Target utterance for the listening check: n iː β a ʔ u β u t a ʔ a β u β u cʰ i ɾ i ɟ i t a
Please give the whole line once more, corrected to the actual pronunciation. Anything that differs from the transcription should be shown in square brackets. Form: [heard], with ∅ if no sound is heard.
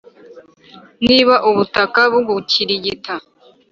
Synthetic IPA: n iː β a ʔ u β u t a [k] a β u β u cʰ i ɾ i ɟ i t a